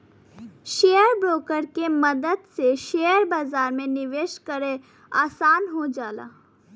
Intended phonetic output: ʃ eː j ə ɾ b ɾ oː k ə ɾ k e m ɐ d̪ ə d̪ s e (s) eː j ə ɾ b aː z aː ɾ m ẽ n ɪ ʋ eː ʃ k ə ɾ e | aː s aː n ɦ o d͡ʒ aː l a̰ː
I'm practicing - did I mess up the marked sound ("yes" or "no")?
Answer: yes